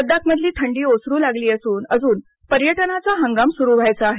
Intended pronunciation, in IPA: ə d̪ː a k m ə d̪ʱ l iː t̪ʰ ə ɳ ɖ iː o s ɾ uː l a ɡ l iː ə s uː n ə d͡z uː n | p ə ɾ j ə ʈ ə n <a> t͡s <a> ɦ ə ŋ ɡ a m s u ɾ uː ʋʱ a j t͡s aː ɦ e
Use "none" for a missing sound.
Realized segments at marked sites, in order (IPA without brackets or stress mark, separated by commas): a, a